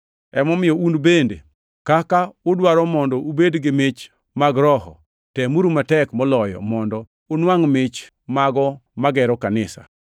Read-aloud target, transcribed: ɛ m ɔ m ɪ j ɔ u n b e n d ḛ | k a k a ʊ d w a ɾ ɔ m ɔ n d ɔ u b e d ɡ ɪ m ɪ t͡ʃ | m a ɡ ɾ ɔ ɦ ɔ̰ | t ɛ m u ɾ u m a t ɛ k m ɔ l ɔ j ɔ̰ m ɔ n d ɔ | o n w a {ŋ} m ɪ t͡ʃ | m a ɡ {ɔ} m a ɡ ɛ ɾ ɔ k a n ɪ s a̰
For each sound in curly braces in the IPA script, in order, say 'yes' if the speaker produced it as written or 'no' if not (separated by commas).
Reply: yes, yes